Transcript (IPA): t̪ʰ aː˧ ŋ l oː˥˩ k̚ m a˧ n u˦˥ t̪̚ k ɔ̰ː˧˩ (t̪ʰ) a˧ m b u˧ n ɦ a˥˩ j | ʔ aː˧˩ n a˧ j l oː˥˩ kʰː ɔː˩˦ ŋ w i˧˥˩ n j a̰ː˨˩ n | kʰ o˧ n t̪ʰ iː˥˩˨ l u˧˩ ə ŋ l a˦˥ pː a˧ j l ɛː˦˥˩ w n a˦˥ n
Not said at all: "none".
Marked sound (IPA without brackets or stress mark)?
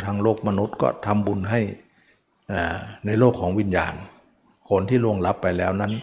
t̪ʰ